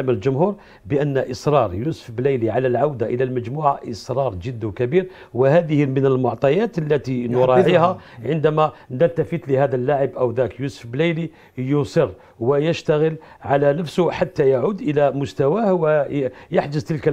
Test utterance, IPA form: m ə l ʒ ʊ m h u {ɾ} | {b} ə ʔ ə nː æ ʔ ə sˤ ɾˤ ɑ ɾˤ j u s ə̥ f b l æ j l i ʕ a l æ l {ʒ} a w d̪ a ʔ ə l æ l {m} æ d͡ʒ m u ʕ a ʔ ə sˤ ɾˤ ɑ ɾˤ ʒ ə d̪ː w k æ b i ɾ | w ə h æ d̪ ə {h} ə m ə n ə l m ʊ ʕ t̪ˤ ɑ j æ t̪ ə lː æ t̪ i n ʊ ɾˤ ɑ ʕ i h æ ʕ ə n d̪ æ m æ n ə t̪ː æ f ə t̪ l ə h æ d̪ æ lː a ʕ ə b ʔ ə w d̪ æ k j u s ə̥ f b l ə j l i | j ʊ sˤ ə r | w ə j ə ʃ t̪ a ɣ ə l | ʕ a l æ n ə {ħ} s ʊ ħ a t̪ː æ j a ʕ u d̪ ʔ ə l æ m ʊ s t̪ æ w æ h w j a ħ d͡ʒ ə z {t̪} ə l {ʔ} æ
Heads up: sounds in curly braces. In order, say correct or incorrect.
correct, correct, incorrect: ʕ, correct, correct, incorrect: f, correct, incorrect: k

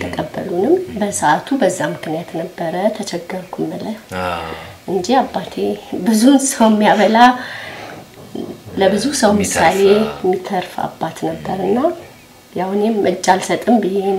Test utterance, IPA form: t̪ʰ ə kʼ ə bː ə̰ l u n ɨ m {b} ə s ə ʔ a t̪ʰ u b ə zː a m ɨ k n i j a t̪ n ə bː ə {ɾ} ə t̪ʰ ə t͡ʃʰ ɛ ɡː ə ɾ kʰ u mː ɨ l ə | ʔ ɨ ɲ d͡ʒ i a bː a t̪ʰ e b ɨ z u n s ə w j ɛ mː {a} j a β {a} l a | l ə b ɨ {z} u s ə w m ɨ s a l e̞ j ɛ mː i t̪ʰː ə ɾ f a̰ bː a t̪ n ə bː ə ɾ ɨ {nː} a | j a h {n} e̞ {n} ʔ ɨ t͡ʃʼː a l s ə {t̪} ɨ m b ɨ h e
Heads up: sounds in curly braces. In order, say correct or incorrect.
correct, correct, incorrect: i, incorrect: ə, correct, correct, correct, incorrect: m, incorrect: t̪ʼ

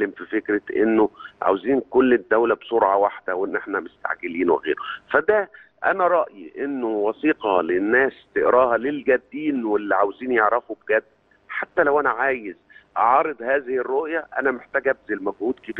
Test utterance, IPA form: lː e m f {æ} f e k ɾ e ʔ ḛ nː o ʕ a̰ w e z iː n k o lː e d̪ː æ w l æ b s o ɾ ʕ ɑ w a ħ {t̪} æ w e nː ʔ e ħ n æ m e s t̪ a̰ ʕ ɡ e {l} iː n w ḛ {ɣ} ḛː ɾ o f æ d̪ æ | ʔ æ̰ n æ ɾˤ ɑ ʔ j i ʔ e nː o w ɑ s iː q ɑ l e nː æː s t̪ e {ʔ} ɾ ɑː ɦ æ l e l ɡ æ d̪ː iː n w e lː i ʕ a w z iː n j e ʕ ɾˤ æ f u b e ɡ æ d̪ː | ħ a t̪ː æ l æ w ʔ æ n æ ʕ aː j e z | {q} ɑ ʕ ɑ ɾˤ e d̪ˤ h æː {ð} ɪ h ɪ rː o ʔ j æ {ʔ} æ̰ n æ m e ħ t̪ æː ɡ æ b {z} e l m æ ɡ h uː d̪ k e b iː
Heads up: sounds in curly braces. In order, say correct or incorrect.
incorrect: i, incorrect: d̪, correct, correct, correct, incorrect: ʔ, incorrect: z, correct, correct

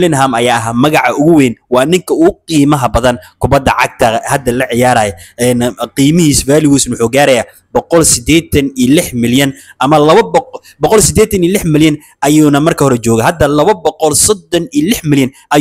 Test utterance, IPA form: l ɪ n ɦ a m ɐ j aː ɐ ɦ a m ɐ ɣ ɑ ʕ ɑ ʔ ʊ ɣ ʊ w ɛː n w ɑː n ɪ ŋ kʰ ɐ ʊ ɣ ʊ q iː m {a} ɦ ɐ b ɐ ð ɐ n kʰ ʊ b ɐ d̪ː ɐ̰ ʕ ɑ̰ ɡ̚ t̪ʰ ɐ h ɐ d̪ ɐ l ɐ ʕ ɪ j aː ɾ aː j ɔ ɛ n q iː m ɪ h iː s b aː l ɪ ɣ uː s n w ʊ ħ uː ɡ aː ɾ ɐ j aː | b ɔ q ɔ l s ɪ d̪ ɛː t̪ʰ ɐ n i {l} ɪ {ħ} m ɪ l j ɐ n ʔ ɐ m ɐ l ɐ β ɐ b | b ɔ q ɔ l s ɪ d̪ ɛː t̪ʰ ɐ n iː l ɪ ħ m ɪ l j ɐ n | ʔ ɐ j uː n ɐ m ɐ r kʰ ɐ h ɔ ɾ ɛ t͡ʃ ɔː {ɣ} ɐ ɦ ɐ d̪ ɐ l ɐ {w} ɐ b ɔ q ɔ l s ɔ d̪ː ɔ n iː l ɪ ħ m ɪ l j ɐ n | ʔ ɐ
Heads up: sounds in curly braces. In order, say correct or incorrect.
incorrect: ɐ, correct, correct, correct, incorrect: β

